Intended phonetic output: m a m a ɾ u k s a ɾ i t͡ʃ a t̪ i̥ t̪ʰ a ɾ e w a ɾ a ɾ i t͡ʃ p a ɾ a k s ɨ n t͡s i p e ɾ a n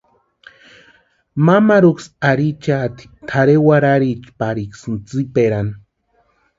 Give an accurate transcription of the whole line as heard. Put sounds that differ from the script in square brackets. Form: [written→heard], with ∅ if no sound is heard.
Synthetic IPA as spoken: m a m a ɾ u k s a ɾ i t͡ʃ a t̪ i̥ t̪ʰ a ɾ e w a ɾ a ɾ i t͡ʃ p a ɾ [a→i] k s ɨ n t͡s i p e ɾ a n

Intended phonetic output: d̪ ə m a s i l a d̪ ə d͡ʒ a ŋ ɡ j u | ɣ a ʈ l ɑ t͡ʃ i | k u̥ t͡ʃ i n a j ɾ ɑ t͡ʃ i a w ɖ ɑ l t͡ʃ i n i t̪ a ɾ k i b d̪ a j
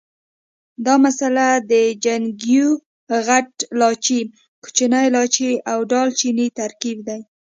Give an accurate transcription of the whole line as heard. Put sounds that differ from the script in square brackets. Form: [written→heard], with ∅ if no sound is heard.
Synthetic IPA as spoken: d̪ [ə→ɑ] m a s [i→a] l a d̪ ə d͡ʒ a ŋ ɡ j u | ɣ a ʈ l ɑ t͡ʃ i | k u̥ t͡ʃ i n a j [ɾ→l] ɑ t͡ʃ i a w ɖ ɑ l t͡ʃ i n i t̪ a ɾ k i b d̪ a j

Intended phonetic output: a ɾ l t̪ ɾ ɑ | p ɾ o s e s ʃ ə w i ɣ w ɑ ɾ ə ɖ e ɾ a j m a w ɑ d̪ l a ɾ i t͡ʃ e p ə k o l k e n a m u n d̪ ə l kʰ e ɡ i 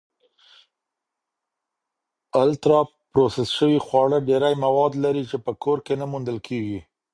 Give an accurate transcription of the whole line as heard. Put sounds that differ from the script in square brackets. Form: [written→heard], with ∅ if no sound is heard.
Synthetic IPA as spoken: a [ɾ→∅] l t̪ ɾ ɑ | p ɾ o s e s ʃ ə w i [ɣ→x] w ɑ [ɾ→ɽ] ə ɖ e ɾ a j m a w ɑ d̪ l a ɾ i t͡ʃ e p ə k o [l→ɾ] k e n a m u n d̪ ə l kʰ e ɡ i

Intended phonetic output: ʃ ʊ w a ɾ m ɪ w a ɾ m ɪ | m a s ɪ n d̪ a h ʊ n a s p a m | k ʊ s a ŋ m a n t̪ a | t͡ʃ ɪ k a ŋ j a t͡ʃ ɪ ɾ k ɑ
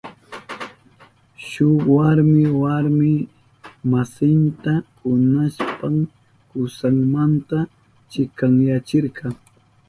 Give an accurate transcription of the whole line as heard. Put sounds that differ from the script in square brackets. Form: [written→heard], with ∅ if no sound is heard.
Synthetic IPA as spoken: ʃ ʊ w a ɾ m ɪ w a ɾ m ɪ | m a s ɪ n [d̪→t̪] a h ʊ n a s p a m | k ʊ s a ŋ m a n t̪ a | t͡ʃ ɪ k a ŋ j a t͡ʃ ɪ ɾ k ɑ

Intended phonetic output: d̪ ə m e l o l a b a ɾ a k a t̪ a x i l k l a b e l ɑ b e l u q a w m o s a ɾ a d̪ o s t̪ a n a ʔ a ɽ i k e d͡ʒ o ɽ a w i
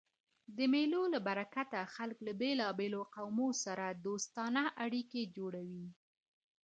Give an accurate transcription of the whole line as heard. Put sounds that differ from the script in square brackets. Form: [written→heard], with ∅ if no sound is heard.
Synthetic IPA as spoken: d̪ ə m e l o l a b a ɾ a k a t̪ a x [i→a] l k l a b e l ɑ b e l [u→o] q a w m o s a ɾ a d̪ o s t̪ [a→ɑ] n a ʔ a ɽ i k e d͡ʒ o ɽ a w i

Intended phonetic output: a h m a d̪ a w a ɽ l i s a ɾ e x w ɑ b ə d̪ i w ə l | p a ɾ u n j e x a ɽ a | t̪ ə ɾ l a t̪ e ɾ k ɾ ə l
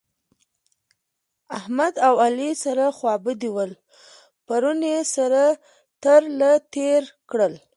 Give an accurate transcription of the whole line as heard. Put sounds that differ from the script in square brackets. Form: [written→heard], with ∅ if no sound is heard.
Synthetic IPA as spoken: a h m a d̪ a w a [ɽ→∅] l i s a ɾ [e→a] x w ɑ b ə d̪ i w ə l | p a ɾ u n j e [x→s] a [ɽ→ɾ] a | t̪ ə ɾ l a t̪ e ɾ k [ɾ→ɽ] ə l

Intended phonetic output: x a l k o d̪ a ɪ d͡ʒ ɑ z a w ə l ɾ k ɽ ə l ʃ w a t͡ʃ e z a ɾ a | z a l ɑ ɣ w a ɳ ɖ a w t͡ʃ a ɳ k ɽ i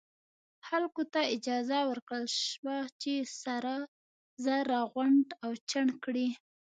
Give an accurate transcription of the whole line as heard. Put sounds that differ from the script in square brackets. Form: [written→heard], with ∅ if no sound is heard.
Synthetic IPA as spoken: x a l k o [d̪→t̪] a ɪ d͡ʒ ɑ z a w ə [l→∅] ɾ k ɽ ə l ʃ w a t͡ʃ e [z→s] a ɾ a | z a [l→ɾ] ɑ ɣ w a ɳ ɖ a w t͡ʃ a ɳ k ɽ i

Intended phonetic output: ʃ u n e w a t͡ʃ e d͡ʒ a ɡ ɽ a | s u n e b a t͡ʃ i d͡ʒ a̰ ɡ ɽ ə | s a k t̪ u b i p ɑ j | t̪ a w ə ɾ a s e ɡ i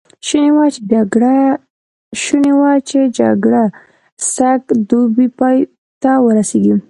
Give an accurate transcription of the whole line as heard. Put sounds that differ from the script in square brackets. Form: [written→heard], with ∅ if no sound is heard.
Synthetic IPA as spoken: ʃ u n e w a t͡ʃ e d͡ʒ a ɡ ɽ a | [s→ʃ] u n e [b→w] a t͡ʃ [i→e] d͡ʒ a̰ ɡ ɽ [ə→a] | s a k [t̪→d̪] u b i p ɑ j | t̪ a w ə ɾ a s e ɡ i

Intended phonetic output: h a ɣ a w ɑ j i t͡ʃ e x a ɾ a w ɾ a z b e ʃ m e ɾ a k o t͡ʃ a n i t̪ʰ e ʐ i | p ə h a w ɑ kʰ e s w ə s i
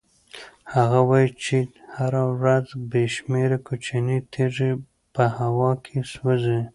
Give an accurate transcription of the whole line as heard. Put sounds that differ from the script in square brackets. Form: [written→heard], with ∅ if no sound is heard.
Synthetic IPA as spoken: h a ɣ a w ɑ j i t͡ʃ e [x→h] a ɾ a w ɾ a z b e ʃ m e ɾ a k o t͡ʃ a n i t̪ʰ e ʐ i | p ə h a w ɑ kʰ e s w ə [s→z] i

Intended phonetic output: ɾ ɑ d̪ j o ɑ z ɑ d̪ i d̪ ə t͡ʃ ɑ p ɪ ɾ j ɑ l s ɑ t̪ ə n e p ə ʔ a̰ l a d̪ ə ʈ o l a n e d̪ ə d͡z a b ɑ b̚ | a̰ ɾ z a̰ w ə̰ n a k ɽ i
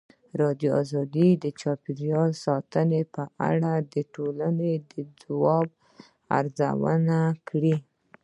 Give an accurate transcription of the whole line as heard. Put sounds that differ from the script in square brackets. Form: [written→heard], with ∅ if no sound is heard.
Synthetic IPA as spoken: ɾ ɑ d̪ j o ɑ z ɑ d̪ i d̪ ə t͡ʃ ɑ p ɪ ɾ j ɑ l s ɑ t̪ ə n e p ə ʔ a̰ [l→ɽ] a d̪ ə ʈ o l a n e d̪ ə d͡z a [b→w] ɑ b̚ | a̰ ɾ z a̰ w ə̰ n a k ɽ i

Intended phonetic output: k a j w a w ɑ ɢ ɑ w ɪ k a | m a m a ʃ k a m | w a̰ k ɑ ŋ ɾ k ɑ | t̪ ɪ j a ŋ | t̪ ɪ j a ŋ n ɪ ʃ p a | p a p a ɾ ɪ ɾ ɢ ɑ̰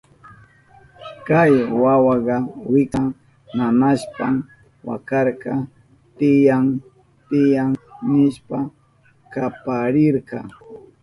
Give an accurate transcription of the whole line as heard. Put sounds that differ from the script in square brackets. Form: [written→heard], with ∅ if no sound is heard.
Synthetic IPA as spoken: k a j w a w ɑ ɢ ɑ w ɪ k a | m a m a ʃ [k→p] a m | w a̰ k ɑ [ŋ→∅] ɾ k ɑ | t̪ ɪ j a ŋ | t̪ ɪ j a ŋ n ɪ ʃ p a | [p→k] a p a ɾ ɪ ɾ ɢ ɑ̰

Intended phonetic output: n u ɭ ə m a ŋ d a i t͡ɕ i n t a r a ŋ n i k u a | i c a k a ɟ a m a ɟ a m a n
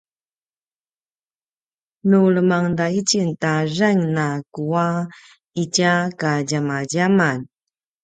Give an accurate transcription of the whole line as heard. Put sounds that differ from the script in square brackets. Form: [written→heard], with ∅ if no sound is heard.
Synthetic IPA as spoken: n u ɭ ə m a ŋ d a i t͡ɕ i n t a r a ŋ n [i→a] k u a | i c a k a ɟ a m a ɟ a m a n

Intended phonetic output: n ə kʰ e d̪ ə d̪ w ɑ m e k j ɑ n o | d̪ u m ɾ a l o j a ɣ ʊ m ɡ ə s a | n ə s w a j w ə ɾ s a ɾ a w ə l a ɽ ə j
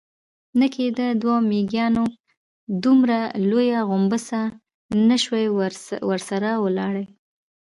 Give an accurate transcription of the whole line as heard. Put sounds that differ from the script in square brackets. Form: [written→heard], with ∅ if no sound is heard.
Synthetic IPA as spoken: n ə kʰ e d̪ ə d̪ w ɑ m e [k→ɡ] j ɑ n o | d̪ u m ɾ a l o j a ɣ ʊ m [ɡ→b] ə s a | n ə [s→ʃ] w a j w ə ɾ s a ɾ a w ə l [a→ɑ] ɽ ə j

